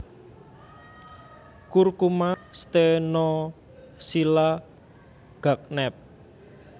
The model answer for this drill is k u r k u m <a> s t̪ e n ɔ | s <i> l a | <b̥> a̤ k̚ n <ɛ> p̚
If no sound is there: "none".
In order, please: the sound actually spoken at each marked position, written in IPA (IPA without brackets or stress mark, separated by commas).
a, i, ɡ̥, ɛ